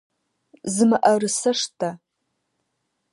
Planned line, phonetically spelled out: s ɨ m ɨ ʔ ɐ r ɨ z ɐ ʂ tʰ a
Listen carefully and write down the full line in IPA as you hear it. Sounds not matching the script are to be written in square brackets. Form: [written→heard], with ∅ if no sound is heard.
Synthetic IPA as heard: [s→z] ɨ m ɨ ʔ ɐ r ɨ [z→s] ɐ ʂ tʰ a